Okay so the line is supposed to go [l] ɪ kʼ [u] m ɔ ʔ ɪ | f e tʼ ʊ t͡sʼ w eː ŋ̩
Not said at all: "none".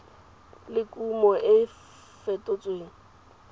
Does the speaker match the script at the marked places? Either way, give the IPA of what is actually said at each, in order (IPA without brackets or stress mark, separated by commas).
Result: l, u